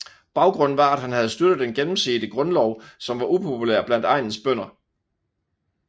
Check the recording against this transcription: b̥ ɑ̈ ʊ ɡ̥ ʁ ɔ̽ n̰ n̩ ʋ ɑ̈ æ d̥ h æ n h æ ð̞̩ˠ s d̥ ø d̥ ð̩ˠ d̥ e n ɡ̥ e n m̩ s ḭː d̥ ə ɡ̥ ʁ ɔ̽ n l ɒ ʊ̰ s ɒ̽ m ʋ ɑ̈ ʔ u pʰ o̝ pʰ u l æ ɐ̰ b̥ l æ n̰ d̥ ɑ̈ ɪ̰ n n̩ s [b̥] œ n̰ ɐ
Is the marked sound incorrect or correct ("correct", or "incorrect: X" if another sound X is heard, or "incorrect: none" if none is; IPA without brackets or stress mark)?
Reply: correct